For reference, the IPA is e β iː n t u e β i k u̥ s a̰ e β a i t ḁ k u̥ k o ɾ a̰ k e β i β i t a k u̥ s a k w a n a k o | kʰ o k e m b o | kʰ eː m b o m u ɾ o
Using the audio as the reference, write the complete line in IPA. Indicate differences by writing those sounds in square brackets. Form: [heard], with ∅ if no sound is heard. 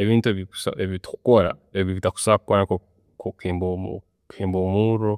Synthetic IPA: e β iː n t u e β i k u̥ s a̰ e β [i] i t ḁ k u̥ k o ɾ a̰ [∅] e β i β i t a k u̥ s a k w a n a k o | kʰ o k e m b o | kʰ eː m b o m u ɾ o